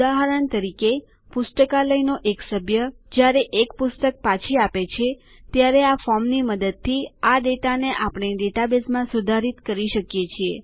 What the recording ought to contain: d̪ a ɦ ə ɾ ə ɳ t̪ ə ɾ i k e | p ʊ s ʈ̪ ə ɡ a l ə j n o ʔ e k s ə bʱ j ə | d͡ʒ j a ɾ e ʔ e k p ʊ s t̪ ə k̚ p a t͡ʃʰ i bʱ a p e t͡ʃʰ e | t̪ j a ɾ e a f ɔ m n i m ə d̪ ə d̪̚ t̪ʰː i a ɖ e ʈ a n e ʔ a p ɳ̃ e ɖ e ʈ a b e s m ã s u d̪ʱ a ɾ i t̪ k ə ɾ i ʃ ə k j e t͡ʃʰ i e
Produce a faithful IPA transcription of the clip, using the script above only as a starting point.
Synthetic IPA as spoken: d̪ a ɦ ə ɾ ə ɳ t̪ ə ɾ i k e | p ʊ s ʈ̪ ə k a l ə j n o ʔ e k s ə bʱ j ə | d͡ʒ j a ɾ e ʔ e k p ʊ s t̪ ə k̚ p a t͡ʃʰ i a p e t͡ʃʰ e | t̪ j a ɾ e a f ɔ m n i m ə d̪ ə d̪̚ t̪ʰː i a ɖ e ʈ a n e ʔ a p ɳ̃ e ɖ e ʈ a b e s m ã s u d̪ʱ a ɾ i t̪ k ə ɾ i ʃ ə k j e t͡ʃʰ i e